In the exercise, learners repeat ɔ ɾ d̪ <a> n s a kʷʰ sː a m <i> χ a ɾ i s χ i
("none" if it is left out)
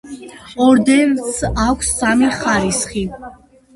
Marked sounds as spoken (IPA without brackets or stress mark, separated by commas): ɛ, i